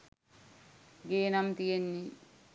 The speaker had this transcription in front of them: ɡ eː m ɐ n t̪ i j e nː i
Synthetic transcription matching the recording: ɡ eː n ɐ m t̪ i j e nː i